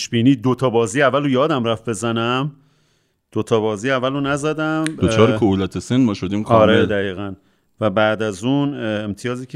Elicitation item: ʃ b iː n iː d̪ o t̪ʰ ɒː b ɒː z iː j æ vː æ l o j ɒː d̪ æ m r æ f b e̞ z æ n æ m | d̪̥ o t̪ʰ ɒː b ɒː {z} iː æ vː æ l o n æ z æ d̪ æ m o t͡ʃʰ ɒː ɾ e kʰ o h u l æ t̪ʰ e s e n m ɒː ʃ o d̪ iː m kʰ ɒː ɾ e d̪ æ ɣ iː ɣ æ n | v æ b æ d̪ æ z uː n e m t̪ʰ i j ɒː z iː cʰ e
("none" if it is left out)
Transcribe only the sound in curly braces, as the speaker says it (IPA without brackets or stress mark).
z